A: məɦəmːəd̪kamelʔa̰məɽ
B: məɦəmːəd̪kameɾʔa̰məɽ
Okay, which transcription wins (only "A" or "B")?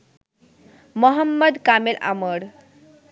A